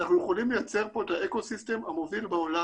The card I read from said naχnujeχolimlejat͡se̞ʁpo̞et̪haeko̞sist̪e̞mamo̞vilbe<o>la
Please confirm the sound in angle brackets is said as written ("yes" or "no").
yes